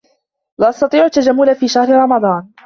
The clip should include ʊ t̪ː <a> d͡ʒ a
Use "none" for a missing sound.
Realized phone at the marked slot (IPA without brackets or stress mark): a